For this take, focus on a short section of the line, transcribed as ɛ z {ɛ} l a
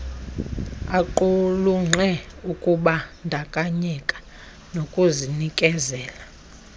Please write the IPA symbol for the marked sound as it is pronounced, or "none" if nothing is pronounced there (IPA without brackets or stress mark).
ɛː